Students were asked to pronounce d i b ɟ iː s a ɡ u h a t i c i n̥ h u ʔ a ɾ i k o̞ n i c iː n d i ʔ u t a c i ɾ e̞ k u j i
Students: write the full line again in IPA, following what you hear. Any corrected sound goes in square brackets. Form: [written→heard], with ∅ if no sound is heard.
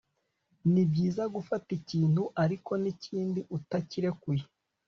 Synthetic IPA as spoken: [d→n] i b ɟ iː [s→z] a ɡ u [h→f] a t i c [i→iː] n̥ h u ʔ a ɾ i k o̞ n i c iː n d i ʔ u t a c i ɾ e̞ k u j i